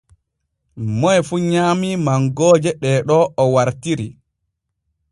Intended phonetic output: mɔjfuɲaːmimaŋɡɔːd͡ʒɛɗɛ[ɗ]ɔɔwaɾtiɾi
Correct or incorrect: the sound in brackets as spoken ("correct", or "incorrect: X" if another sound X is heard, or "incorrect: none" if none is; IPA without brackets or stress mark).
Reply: correct